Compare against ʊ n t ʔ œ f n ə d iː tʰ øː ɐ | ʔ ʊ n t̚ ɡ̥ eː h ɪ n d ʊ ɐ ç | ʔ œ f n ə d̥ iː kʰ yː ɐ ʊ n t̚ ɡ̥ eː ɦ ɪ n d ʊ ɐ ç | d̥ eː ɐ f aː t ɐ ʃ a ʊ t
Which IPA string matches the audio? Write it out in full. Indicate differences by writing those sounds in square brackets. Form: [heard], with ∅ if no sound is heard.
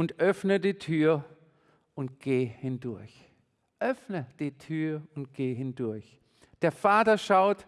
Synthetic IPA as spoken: ʊ n t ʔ œ f n ə d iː tʰ [yː] ɐ | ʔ ʊ n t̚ ɡ̥ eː h ɪ n d ʊ ɐ ç | ʔ œ f n ə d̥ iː [tʰ] yː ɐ ʊ n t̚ ɡ̥ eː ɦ ɪ n d ʊ ɐ ç | d̥ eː ɐ f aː t ɐ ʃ a ʊ t